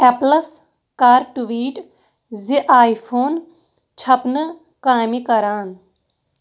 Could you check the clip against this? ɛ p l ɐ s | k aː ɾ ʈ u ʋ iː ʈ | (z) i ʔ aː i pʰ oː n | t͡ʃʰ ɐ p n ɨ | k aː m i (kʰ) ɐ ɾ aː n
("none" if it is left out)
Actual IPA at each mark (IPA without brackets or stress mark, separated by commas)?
z, k